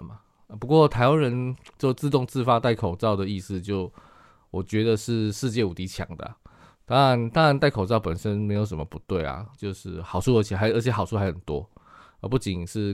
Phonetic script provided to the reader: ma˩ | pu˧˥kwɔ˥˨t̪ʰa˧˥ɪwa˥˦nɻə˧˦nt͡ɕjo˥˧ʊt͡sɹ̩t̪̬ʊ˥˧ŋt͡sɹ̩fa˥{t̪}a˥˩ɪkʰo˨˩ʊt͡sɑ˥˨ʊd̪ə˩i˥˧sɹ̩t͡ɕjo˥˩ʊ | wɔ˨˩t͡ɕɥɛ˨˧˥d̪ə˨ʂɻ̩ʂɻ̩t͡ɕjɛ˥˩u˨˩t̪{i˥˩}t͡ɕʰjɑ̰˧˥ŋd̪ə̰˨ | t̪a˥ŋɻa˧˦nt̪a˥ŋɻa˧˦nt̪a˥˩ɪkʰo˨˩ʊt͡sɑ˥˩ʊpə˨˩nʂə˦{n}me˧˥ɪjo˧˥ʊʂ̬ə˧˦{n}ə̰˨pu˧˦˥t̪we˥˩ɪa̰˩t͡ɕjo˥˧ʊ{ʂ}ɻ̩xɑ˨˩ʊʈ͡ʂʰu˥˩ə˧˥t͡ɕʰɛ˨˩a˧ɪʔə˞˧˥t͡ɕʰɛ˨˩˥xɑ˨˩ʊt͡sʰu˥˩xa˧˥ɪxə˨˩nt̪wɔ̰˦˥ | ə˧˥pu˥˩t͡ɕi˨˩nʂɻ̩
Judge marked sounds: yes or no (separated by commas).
yes, no, yes, no, yes